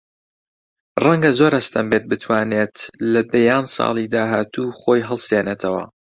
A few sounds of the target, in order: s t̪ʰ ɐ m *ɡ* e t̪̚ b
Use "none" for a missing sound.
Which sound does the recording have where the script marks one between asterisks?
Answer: b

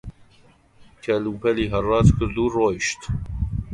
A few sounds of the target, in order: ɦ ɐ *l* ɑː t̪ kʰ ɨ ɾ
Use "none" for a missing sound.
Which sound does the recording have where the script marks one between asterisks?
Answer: r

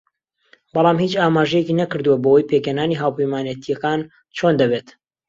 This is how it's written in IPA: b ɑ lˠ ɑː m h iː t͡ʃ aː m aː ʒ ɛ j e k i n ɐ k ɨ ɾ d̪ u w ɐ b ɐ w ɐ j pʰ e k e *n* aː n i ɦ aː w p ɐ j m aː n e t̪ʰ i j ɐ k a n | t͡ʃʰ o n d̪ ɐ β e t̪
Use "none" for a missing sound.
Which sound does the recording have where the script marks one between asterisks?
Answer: n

